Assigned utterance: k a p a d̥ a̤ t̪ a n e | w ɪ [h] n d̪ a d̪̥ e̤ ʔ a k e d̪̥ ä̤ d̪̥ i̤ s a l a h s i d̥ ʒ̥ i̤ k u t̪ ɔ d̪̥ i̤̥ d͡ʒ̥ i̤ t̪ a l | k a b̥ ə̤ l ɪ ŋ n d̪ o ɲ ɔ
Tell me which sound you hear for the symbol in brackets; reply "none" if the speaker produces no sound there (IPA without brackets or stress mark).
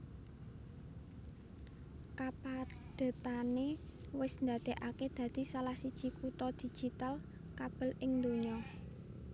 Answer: s